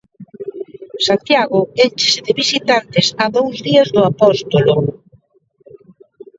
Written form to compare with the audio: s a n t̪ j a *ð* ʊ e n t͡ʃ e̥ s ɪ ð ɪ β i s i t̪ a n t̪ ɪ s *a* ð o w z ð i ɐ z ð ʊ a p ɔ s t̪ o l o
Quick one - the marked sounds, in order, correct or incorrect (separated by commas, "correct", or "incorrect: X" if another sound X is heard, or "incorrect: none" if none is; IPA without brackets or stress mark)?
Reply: incorrect: ɣ, correct